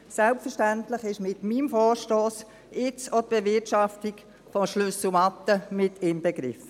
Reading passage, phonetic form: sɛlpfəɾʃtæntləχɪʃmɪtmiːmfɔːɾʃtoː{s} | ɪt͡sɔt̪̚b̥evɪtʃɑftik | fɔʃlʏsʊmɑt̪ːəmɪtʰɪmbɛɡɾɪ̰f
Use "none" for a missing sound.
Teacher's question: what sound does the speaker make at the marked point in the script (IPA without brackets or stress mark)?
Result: s